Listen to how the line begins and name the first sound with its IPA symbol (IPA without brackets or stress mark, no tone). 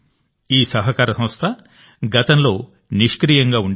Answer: iː